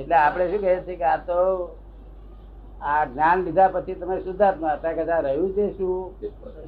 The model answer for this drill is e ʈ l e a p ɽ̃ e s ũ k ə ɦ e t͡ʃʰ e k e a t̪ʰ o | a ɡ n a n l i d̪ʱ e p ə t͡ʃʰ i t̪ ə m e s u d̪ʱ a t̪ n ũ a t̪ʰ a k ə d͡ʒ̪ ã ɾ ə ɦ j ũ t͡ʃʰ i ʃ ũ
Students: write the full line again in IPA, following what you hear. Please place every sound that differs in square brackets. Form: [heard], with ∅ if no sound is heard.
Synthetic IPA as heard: e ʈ l e a p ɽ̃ e [ʃ] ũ k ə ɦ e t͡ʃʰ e k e a [t̪] o | a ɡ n a n l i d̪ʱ [a] p ə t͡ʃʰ i t̪ ə m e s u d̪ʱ a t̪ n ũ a [t̪] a k ə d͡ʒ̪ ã ɾ ə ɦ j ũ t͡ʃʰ [e] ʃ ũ